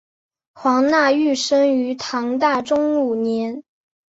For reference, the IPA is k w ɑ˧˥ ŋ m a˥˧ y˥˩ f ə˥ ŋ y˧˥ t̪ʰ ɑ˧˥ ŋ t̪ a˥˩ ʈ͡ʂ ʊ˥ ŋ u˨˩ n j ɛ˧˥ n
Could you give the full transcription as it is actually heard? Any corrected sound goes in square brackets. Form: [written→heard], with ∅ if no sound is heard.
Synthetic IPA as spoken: [k→x] w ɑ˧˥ ŋ [m→n] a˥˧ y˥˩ [f→ʂ] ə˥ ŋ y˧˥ t̪ʰ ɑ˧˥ ŋ t̪ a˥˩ ʈ͡ʂ ʊ˥ ŋ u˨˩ n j ɛ˧˥ n